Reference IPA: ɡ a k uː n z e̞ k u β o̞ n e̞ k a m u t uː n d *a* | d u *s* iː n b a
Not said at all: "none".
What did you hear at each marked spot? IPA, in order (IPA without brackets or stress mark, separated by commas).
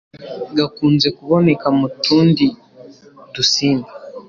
i, s